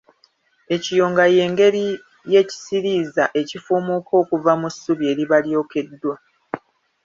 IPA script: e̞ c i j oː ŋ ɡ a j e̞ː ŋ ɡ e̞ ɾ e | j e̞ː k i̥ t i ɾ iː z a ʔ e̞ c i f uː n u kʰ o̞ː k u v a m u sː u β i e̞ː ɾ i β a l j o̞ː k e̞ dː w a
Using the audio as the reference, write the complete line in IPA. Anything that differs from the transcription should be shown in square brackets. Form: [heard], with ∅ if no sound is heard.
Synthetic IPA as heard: e̞ c i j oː ŋ ɡ a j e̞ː ŋ ɡ e̞ ɾ [i] | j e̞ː [c] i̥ [s] i ɾ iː z a ʔ e̞ c i f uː [m] u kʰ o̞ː k u v a m u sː u β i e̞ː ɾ i β a l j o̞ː k e̞ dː w a